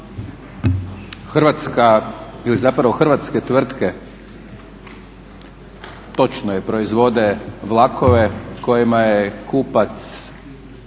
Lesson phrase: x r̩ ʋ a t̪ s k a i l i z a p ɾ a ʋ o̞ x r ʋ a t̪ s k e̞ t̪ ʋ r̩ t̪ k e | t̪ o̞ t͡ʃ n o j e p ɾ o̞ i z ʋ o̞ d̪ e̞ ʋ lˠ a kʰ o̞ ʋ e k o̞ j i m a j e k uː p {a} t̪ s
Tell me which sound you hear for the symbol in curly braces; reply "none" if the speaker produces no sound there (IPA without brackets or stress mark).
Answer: a